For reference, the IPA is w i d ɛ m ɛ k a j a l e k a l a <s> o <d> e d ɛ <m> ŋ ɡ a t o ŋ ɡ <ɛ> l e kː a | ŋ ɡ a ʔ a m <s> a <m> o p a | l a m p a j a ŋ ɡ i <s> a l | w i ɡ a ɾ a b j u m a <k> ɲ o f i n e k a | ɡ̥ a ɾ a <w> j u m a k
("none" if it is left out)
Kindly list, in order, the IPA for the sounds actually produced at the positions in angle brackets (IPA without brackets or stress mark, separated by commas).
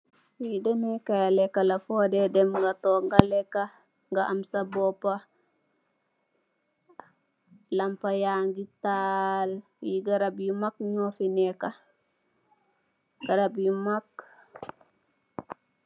f, d, m, a, s, b, t, k, b